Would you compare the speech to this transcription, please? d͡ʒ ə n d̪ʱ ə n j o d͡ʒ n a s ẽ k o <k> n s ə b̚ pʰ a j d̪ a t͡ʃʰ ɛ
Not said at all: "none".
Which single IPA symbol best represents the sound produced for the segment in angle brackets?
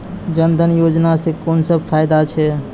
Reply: none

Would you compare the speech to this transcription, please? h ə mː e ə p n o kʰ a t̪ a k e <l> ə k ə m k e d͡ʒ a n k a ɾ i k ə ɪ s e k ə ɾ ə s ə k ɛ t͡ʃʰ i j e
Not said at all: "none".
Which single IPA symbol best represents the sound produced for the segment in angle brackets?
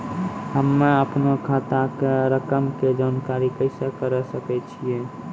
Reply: ɾ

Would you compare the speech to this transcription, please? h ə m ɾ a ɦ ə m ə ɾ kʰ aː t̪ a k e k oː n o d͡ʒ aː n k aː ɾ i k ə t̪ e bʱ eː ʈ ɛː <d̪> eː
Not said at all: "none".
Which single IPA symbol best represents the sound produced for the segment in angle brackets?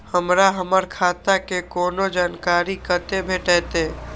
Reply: t̪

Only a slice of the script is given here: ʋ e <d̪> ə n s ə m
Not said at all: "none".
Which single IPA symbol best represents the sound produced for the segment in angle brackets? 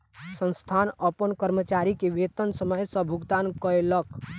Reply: t̪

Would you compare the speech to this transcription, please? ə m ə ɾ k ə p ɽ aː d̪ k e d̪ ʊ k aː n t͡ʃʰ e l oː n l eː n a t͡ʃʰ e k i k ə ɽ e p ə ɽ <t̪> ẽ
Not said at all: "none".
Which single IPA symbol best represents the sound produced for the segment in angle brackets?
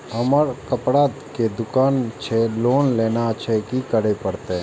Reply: t̪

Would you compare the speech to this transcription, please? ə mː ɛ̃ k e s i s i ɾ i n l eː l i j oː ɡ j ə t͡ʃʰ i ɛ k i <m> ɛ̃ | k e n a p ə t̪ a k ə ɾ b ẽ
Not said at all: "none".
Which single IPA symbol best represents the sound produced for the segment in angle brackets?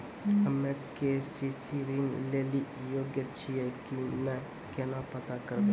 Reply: m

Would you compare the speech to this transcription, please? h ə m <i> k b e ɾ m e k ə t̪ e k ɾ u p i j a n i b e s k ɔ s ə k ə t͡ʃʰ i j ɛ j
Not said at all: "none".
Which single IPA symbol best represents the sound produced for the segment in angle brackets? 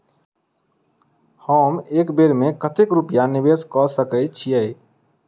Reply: e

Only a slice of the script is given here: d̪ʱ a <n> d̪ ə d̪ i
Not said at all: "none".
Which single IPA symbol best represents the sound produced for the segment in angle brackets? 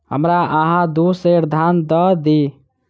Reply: n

